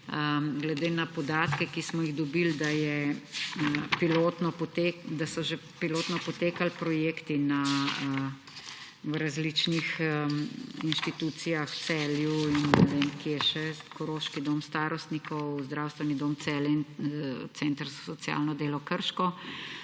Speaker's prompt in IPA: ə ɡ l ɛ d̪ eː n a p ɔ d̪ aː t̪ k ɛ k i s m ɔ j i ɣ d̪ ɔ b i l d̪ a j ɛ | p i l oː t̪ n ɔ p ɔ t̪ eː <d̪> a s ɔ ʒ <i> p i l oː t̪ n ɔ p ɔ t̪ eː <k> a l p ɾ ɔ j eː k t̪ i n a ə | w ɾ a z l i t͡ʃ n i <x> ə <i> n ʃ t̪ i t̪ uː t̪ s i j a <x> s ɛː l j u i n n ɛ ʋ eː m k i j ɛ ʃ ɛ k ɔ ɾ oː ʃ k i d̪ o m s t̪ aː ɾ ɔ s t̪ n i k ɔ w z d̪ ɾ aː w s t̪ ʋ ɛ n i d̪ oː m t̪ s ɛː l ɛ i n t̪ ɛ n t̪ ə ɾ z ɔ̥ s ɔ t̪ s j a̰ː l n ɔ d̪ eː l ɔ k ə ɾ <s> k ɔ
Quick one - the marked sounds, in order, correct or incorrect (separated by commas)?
correct, incorrect, correct, correct, correct, correct, incorrect